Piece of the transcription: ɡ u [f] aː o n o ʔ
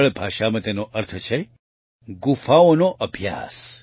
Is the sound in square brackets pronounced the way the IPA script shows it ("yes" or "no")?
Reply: yes